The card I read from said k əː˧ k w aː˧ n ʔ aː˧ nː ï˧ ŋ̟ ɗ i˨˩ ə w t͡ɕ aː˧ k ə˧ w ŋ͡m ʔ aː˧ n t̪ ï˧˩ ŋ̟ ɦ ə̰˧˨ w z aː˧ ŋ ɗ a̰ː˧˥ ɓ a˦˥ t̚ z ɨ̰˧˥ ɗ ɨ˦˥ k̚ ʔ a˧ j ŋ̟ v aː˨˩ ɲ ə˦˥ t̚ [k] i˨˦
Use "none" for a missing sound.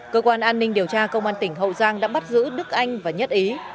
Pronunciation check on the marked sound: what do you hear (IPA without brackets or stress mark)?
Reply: ʔ